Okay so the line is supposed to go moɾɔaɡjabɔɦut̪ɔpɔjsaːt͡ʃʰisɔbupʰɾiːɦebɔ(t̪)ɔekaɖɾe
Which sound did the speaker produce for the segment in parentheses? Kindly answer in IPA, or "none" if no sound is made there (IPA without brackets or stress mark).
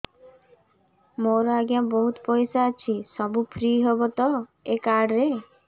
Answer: t̪